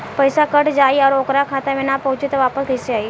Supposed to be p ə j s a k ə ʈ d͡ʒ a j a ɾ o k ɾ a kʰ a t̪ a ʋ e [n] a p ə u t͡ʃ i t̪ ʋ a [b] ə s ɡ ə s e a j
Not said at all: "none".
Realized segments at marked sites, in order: n, p

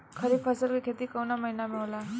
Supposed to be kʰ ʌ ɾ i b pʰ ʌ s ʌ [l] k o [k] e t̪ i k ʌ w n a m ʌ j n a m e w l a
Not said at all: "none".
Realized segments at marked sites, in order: l, kʰ

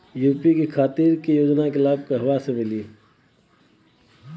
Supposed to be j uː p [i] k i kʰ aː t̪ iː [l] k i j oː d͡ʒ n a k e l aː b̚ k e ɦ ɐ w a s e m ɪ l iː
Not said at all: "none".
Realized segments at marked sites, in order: i, ɾ

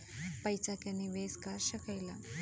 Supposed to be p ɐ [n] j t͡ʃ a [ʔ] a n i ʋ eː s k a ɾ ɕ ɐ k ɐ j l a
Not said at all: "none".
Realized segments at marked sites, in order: none, k

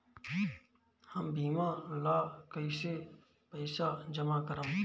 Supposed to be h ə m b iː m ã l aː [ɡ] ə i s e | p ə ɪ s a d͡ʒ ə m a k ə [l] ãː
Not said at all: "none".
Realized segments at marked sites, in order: k, ɾ

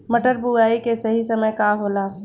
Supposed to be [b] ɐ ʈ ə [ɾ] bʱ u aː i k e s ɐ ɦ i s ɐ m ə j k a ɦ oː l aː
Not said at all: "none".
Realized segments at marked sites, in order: m, ɾ

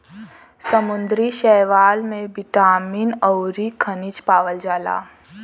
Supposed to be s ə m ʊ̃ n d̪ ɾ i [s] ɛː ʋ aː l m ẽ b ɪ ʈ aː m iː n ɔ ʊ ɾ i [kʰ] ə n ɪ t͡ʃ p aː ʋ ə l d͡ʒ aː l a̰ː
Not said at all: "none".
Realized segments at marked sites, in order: ʃ, kʰ

